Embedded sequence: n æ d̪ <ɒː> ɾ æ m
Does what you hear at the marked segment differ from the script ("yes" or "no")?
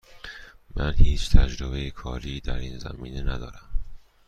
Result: no